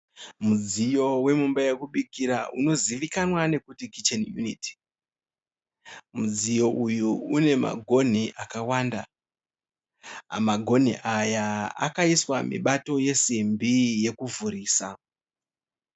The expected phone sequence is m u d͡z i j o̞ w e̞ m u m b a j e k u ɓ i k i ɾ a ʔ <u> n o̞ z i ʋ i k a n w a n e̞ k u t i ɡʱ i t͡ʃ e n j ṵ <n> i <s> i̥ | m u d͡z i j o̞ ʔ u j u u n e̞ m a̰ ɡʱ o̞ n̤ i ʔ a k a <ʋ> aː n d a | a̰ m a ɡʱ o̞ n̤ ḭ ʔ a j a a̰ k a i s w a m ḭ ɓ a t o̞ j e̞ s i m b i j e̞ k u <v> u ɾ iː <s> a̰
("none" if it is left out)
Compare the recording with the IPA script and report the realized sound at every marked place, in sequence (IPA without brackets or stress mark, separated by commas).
u, n, t, w, v, s